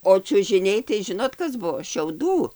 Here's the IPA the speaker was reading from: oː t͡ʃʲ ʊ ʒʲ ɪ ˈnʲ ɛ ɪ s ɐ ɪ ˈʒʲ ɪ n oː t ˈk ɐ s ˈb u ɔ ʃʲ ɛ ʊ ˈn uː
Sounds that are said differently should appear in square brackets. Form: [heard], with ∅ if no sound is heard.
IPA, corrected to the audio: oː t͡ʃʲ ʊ ʒʲ ɪ ˈnʲ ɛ ɪ [t] ɐ ɪ ˈʒʲ ɪ n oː t ˈk ɐ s ˈb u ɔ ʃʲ ɛ ʊ [ˈd] uː